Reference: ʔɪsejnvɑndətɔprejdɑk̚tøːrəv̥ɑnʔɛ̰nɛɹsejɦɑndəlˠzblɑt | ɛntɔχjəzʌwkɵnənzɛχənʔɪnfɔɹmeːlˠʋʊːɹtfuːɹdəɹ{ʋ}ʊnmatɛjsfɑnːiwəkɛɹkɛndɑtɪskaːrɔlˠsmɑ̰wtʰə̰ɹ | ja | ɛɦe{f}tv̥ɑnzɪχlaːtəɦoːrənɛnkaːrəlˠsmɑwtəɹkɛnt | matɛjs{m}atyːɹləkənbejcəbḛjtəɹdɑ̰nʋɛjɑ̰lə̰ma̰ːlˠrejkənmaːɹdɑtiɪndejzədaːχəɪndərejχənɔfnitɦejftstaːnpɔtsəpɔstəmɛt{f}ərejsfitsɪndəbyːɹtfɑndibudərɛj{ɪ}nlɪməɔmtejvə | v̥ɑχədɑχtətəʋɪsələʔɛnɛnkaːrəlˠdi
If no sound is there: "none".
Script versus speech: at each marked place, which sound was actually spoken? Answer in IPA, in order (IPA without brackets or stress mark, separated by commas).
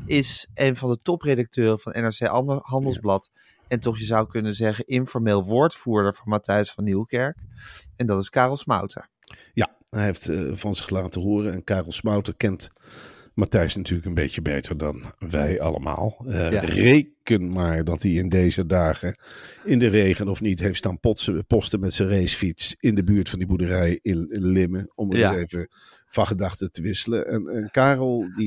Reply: v, f, n, s, ɪ